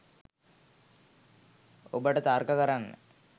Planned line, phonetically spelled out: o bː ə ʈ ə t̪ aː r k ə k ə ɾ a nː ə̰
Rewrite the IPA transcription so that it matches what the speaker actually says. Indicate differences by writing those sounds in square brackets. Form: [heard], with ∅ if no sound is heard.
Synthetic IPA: o [b] ə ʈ ə t̪ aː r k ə k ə ɾ a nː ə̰